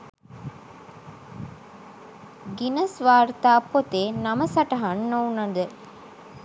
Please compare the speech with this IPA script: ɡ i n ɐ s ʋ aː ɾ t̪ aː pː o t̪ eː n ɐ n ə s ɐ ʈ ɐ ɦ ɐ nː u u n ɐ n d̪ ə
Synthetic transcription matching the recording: ɡ i n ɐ s ʋ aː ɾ t̪ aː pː o t̪ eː n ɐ m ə s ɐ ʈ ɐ ɦ ɐ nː o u n ɐ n d̪ ə